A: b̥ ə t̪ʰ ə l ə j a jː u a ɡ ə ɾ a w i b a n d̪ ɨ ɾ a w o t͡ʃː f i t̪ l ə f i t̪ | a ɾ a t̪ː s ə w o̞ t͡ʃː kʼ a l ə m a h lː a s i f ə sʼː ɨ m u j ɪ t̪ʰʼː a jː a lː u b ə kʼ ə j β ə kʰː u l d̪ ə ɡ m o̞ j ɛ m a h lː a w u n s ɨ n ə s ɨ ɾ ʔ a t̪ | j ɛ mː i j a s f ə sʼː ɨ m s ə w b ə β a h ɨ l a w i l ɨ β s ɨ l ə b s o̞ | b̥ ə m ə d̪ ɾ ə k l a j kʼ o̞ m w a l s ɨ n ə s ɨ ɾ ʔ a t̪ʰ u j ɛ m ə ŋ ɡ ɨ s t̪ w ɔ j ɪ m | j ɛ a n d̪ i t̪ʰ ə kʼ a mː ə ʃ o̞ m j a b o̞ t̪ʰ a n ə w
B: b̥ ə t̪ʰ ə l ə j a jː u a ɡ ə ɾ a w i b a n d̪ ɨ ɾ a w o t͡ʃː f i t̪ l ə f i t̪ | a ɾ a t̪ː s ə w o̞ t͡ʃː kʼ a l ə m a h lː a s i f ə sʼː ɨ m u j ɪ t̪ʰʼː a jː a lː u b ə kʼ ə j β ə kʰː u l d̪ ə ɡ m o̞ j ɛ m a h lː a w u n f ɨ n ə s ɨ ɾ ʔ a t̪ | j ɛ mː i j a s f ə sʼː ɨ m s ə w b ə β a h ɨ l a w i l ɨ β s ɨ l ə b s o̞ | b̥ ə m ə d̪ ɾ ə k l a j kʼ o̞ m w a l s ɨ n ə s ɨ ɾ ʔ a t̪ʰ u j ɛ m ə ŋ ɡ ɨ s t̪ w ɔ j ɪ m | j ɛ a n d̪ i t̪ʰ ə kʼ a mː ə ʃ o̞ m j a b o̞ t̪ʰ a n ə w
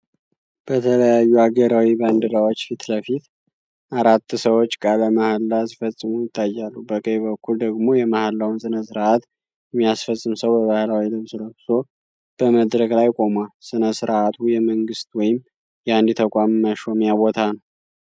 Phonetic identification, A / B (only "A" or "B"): A